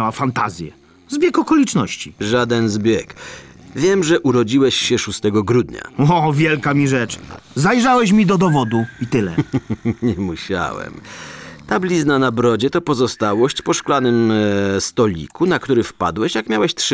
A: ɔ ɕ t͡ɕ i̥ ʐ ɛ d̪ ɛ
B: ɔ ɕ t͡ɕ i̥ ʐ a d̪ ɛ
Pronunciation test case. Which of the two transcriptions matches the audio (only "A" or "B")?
B